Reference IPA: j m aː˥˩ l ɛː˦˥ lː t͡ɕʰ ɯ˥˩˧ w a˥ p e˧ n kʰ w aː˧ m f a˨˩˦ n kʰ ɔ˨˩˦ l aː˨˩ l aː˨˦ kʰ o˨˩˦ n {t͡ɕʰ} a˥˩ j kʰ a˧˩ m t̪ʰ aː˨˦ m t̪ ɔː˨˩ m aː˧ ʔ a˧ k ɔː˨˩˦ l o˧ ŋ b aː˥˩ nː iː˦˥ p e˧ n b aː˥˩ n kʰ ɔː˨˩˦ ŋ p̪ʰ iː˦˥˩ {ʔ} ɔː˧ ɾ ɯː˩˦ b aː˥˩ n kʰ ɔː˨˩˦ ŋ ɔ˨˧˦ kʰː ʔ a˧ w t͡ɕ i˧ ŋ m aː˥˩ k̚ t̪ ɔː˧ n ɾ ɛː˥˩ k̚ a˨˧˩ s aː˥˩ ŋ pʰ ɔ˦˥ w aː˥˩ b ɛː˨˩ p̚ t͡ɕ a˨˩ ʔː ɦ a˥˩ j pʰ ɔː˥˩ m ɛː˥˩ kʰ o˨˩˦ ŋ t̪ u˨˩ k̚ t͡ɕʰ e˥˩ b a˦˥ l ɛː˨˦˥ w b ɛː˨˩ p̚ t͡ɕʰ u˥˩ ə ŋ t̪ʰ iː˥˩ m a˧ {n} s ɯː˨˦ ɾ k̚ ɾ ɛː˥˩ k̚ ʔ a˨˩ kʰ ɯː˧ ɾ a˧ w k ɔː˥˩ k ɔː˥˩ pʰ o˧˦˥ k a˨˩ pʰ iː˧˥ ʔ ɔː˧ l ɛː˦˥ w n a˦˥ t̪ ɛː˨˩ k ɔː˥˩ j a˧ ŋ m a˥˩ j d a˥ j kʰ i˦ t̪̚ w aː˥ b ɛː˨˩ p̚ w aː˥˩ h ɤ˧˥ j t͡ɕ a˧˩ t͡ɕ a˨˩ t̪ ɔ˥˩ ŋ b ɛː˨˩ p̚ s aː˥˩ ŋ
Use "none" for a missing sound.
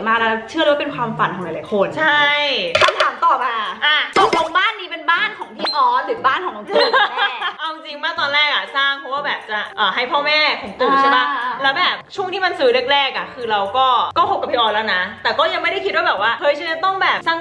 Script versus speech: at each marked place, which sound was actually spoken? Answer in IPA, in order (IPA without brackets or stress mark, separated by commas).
t͡ɕʰ, ʔ, n